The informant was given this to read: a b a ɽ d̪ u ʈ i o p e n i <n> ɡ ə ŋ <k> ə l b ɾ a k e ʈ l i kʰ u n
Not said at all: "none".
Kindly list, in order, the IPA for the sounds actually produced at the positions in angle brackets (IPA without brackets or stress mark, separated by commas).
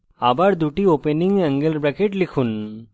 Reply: ŋ, ɡ